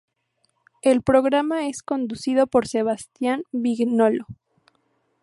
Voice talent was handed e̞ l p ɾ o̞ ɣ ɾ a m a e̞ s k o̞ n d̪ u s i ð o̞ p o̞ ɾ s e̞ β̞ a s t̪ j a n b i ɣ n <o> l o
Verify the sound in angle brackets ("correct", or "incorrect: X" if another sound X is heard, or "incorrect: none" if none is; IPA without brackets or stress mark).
correct